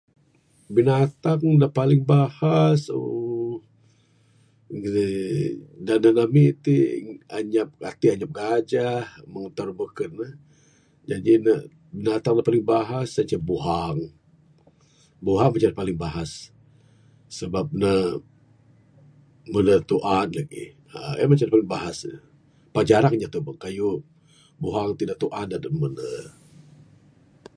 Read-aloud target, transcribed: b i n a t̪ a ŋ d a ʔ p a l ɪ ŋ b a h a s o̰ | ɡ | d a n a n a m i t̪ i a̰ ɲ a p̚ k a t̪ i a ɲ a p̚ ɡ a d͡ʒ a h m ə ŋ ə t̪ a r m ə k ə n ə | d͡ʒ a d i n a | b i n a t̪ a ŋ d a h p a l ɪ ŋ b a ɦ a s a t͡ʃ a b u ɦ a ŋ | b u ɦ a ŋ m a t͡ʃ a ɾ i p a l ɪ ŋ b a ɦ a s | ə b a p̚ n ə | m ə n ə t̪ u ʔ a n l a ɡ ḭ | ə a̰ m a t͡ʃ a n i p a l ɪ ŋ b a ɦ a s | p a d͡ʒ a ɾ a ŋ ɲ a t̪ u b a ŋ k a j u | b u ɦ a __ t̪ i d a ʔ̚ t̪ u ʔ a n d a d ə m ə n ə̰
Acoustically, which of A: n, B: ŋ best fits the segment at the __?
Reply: B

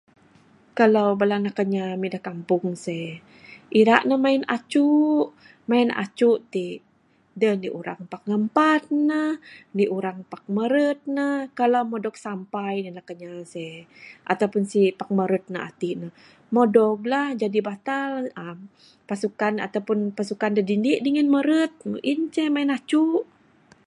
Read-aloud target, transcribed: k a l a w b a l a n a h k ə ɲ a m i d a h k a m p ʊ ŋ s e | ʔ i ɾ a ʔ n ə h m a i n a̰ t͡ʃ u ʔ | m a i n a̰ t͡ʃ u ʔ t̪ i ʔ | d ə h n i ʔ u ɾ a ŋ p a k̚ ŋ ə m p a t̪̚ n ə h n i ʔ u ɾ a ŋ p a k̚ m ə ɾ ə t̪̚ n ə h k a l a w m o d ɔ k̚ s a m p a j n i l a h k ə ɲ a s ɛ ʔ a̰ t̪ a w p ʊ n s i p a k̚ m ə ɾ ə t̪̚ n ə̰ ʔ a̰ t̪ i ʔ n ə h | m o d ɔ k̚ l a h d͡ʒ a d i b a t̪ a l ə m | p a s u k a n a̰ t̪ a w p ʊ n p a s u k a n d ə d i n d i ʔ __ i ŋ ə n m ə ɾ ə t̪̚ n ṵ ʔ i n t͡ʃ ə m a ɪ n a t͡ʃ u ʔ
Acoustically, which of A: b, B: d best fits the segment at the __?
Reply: B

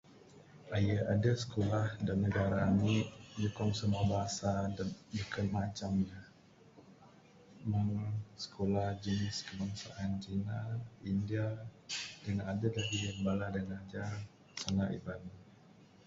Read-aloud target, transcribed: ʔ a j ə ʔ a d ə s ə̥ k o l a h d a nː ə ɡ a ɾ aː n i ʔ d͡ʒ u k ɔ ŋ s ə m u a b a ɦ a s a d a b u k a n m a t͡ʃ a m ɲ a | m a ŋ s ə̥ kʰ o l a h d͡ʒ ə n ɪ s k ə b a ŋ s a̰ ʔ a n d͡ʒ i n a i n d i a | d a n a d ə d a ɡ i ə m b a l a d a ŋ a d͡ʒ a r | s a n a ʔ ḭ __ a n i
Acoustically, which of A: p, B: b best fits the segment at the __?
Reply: B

